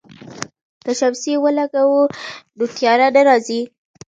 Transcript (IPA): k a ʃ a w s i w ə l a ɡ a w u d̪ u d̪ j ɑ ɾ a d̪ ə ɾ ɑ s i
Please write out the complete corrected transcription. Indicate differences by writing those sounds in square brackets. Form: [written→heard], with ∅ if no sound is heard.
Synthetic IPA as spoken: k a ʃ a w s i w ə l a ɡ a w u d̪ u [d̪→t̪] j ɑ ɾ a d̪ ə ɾ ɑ [s→z] i